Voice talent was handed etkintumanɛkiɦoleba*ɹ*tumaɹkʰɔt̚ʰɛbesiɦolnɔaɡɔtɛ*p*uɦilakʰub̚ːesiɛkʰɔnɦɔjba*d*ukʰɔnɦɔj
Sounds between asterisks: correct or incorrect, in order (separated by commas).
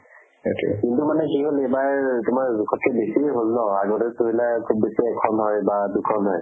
correct, incorrect, correct